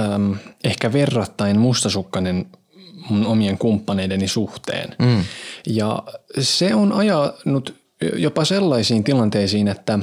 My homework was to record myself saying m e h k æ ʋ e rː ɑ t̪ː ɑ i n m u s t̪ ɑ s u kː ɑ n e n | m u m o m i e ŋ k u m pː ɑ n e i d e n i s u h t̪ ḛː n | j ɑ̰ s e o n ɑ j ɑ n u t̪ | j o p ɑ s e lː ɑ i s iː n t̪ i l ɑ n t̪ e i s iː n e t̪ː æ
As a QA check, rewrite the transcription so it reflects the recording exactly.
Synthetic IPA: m e h k æ ʋ e rː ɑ t̪ː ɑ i n m u s t̪ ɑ s u kː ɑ n e n | m u n o m i e ŋ k u m pː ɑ n e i d e n i s u h t̪ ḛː n | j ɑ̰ s e o n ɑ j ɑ n u t̪ | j o p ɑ s e lː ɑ i s iː n t̪ i l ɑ n t̪ e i s iː n e t̪ː æ